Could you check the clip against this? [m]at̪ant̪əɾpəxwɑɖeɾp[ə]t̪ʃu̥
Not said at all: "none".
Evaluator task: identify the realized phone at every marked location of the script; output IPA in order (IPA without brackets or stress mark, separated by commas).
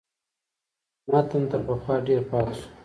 m, ɑ